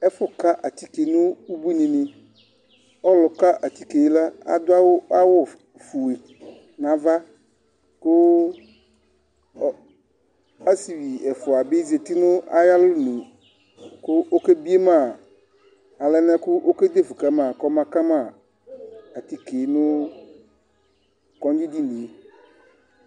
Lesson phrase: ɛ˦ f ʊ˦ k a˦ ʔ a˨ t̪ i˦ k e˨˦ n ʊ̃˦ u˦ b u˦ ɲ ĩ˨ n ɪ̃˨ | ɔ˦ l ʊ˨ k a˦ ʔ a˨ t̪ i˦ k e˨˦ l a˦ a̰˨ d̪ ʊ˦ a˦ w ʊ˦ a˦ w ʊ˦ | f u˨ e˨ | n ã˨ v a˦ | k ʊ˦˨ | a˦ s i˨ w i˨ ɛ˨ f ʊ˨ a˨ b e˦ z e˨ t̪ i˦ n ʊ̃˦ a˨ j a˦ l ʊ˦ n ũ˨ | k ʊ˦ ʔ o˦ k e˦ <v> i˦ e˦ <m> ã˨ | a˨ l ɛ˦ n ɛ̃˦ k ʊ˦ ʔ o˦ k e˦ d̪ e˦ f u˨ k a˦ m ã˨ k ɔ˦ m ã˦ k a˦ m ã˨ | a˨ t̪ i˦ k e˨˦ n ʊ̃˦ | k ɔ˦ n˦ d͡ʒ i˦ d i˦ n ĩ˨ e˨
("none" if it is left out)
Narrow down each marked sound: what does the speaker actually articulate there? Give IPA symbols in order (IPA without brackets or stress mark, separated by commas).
b, m